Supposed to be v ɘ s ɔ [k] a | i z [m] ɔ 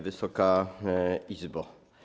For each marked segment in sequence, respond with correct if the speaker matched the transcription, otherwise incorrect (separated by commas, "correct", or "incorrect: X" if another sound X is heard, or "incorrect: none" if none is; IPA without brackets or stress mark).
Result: correct, incorrect: b